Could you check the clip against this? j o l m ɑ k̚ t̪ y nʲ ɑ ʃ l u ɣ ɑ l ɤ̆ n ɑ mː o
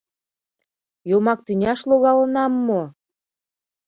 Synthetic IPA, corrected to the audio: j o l m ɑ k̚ t̪ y nʲ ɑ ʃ l o ɣ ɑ l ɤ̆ n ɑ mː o